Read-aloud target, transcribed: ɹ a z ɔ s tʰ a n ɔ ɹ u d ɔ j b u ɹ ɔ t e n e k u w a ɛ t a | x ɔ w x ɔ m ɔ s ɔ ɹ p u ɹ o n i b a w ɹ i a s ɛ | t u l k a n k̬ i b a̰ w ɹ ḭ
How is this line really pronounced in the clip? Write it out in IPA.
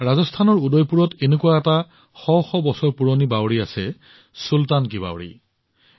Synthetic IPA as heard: ɹ a z ɔ s tʰ a n ɔ ɹ u d ɔ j p u ɹ ɔ t e n e k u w a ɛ t a | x ɔ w x ɔ b ɔ s ɔ ɹ p u ɹ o n i b a w ɹ i a s ɛ | s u l t a n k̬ i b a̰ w ɹ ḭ